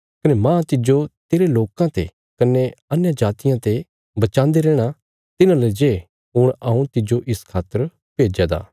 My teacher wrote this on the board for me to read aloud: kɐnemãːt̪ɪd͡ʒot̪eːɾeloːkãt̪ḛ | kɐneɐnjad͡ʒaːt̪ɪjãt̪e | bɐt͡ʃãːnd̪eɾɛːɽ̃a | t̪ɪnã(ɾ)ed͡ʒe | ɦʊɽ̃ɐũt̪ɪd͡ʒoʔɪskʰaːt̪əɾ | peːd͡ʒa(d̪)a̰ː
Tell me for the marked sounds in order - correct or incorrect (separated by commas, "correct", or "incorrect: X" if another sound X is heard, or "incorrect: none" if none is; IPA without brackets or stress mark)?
incorrect: l, correct